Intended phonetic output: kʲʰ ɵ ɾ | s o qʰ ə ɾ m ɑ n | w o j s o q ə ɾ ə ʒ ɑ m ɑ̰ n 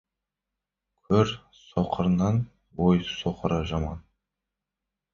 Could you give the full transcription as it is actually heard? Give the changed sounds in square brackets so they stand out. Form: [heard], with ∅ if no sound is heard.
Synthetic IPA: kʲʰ ɵ ɾ | s o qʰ ə ɾ [n] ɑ n | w o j s o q ə ɾ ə ʒ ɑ m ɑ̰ n